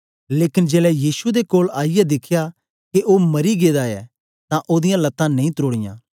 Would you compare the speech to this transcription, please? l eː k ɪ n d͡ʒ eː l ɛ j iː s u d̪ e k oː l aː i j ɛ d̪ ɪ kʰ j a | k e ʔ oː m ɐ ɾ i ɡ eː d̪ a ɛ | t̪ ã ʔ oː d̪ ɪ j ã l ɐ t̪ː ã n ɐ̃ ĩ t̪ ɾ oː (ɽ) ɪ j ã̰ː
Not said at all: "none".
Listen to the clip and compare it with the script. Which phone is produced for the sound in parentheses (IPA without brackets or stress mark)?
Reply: ɽ